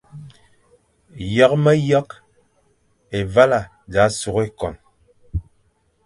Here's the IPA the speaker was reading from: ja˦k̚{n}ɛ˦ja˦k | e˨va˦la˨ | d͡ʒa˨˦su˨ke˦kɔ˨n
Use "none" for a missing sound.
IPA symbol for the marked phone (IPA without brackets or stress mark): m